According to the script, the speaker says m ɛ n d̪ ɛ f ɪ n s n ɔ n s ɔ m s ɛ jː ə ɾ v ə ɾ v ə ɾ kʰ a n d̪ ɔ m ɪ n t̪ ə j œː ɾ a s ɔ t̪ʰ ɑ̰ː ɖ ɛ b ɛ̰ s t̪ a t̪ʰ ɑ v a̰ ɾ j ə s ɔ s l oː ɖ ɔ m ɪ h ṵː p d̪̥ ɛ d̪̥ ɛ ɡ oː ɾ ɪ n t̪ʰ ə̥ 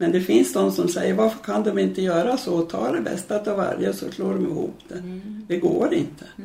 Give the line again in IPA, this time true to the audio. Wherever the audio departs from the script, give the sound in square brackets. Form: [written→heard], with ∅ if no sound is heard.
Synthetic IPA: m ɛ n d̪ ɛ f ɪ n s n ɔ n s ɔ m s ɛ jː ə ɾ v [ə→a] ɾ [v→f] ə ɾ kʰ a n d̪ ɔ m ɪ n t̪ ə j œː ɾ a s ɔ t̪ʰ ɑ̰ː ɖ ɛ b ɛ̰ s t̪ a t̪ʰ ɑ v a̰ ɾ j ə s ɔ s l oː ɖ ɔ m ɪ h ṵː p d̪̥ ɛ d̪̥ ɛ ɡ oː ɾ ɪ n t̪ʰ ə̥